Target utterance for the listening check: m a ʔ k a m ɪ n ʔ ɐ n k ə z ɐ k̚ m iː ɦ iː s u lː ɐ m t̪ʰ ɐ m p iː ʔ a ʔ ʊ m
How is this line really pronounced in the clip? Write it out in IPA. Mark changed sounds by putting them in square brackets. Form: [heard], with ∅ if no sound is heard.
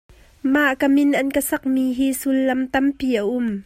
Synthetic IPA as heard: m a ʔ k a m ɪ n ʔ ɐ n k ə [s] ɐ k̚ m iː ɦ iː s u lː ɐ m [t̪] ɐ m p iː ʔ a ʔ ʊ m